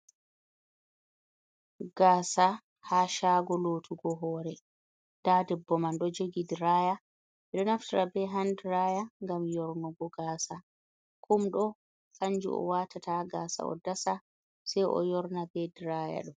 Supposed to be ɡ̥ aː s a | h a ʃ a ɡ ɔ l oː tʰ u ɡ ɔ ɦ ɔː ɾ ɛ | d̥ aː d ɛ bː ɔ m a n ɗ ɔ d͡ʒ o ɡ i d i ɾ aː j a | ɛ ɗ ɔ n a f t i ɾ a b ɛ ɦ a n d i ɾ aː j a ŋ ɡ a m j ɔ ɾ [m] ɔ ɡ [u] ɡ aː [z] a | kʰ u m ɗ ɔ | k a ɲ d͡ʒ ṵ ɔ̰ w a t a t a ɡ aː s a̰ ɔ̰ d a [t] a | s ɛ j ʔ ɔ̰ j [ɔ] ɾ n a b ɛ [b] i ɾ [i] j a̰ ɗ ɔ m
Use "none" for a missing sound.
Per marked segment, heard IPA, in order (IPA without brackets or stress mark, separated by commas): n, ɔ, s, s, ɔ, d, a